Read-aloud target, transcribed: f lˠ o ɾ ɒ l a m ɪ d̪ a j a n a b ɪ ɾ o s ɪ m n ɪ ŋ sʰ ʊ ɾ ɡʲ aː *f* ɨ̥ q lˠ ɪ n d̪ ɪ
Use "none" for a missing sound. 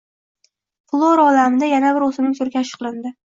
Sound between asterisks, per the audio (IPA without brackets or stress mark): ʃ